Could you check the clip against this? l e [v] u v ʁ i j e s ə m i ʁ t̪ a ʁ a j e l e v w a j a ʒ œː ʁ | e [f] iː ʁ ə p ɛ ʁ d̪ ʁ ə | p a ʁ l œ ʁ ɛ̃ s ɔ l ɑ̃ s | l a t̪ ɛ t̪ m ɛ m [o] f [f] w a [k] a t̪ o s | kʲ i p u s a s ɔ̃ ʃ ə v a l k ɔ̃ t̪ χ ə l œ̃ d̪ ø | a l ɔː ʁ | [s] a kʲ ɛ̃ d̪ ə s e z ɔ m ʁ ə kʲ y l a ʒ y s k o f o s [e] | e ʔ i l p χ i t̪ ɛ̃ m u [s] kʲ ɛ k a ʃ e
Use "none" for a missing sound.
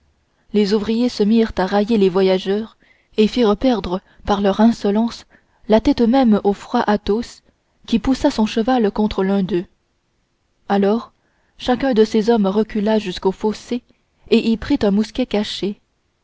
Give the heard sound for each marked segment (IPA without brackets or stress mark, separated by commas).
z, f, o, χ, ʔ, ʃ, e, s